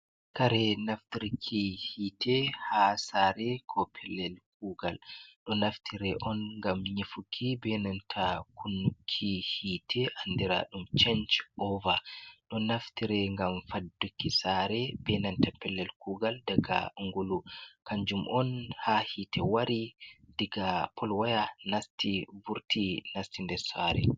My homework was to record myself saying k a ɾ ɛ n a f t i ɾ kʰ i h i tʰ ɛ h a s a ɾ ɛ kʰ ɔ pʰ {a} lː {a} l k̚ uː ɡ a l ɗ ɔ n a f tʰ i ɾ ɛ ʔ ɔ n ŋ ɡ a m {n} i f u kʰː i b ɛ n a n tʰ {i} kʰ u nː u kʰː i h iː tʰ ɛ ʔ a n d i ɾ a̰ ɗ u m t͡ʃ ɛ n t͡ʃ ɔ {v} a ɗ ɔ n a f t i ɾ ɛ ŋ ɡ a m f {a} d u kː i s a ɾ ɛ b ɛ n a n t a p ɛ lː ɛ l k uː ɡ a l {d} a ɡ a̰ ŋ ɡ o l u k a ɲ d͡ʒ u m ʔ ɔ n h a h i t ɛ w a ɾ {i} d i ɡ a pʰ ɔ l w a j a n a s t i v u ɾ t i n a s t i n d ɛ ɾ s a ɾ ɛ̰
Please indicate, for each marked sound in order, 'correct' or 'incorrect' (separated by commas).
incorrect, incorrect, incorrect, incorrect, correct, correct, correct, correct